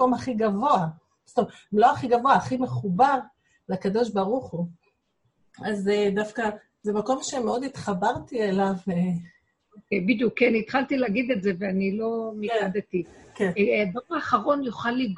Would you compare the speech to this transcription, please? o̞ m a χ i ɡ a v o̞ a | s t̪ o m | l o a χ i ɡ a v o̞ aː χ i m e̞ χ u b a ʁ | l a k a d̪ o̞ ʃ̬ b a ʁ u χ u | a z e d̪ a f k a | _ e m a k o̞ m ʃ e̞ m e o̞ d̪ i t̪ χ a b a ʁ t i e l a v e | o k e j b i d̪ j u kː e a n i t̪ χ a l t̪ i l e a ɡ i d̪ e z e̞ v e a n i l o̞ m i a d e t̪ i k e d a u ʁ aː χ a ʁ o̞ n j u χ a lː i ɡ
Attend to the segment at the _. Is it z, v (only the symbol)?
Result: z